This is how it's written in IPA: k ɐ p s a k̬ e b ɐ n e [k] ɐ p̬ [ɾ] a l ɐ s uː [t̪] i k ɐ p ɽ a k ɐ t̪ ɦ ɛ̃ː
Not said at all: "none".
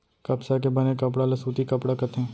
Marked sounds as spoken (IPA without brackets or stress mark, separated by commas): k, ɽ, t̪